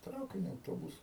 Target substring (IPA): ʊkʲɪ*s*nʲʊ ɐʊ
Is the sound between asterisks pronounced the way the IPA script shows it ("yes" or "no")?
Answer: no